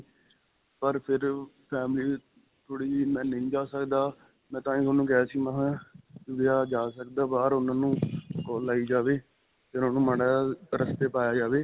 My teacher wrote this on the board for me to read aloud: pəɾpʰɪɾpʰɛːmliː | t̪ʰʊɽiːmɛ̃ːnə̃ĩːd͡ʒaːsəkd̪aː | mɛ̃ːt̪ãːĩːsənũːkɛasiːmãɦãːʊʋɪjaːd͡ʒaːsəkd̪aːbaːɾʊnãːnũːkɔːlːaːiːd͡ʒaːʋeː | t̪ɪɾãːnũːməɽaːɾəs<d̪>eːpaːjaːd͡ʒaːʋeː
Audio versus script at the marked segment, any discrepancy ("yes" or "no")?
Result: yes